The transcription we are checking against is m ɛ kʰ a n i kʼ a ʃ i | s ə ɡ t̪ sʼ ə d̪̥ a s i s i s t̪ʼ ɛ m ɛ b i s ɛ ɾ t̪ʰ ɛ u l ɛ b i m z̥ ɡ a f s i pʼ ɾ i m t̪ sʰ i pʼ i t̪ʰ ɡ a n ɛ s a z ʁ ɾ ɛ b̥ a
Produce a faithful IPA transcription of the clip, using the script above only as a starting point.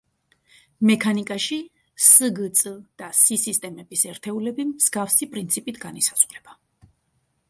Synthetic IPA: m ɛ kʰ a n i kʼ a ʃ i | s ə ɡ t̪ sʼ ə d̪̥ a s i s i s t̪ʼ ɛ m ɛ b i s ɛ ɾ t̪ʰ ɛ u l ɛ b i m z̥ ɡ a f s i pʼ ɾ i n t̪ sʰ i pʼ i t̪ʰ ɡ a n i s a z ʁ ɾ ɛ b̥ a